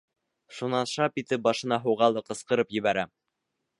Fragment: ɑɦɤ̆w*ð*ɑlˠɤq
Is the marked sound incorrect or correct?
incorrect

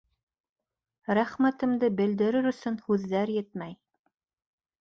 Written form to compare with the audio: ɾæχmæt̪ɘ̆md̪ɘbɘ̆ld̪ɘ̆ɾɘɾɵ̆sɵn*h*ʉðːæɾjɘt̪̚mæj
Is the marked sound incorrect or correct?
correct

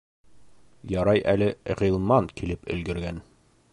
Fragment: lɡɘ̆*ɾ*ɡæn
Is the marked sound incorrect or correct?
correct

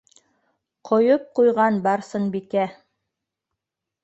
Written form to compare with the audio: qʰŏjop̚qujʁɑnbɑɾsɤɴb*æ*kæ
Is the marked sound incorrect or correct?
incorrect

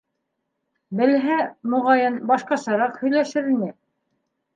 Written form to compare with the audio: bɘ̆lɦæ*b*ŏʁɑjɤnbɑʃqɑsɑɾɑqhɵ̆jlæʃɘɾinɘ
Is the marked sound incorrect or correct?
incorrect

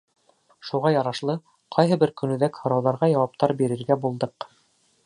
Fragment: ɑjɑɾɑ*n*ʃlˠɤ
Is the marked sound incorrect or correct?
incorrect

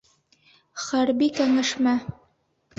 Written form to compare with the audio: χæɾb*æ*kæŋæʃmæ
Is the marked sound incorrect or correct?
incorrect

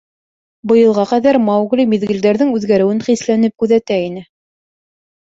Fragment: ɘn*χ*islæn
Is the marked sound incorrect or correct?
correct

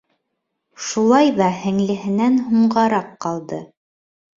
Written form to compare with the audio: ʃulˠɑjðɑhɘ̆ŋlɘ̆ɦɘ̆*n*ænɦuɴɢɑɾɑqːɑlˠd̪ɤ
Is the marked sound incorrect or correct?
correct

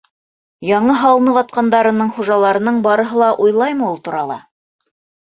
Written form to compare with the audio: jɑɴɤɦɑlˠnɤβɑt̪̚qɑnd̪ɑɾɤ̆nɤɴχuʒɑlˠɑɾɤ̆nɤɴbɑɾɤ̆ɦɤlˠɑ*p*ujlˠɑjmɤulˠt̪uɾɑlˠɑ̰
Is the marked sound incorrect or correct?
incorrect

